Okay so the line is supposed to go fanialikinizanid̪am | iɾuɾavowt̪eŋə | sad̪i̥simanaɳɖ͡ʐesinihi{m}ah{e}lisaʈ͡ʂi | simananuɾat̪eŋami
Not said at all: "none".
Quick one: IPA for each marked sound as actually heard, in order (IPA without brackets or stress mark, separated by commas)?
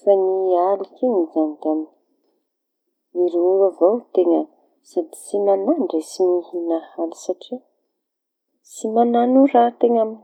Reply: n, a